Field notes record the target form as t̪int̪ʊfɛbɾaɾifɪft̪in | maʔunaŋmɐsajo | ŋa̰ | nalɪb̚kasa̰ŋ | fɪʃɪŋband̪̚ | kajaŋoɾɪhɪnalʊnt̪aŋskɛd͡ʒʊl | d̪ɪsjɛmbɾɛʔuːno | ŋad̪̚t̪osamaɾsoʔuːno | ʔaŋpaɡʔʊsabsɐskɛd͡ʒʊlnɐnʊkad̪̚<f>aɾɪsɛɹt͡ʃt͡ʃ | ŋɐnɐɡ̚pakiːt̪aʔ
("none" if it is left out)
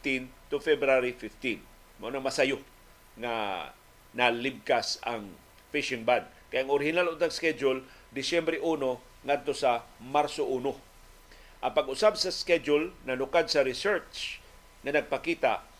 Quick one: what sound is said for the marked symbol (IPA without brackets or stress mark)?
s